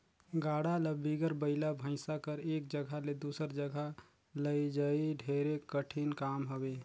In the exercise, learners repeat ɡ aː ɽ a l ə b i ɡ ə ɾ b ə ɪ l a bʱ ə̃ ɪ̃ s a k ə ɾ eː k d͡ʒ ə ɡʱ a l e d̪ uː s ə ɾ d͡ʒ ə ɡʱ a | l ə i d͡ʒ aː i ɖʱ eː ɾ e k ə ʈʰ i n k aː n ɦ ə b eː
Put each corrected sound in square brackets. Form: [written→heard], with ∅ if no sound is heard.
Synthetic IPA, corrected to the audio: ɡ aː ɽ a l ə b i ɡ ə ɾ b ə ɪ l a bʱ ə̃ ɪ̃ s a k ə ɾ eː k d͡ʒ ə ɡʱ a l e d̪ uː s ə ɾ d͡ʒ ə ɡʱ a | l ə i d͡ʒ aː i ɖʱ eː ɾ e k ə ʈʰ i n k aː [n→m] ɦ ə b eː